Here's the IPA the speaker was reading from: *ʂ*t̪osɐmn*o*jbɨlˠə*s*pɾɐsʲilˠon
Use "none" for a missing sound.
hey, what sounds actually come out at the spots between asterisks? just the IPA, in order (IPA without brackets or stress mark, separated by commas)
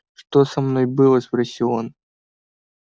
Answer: ʂ, o, s